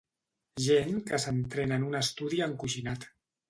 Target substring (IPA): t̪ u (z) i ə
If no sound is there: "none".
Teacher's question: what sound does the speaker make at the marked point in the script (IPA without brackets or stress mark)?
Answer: ð